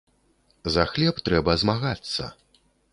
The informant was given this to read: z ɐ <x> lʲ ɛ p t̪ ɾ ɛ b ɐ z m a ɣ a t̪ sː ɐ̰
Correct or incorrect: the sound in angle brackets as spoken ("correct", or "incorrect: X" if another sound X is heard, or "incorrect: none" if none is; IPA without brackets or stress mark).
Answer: correct